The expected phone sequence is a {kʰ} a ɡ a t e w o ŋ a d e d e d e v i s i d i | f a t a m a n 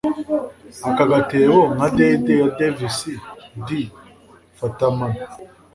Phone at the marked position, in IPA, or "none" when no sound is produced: k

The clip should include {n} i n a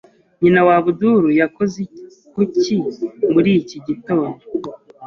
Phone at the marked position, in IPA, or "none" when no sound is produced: ɲ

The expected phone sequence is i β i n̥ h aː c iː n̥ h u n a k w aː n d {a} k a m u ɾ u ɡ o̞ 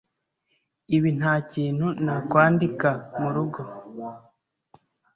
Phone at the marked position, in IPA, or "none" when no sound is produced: i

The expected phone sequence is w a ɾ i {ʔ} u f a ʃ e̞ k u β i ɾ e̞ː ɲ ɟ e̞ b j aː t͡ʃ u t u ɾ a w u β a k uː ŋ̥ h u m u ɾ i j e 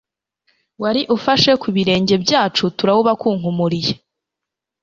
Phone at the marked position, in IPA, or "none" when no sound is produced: ʔ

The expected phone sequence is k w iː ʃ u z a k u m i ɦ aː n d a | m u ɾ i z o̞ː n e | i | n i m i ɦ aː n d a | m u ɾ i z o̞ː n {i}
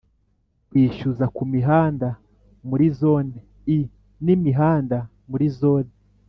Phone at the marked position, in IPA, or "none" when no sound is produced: e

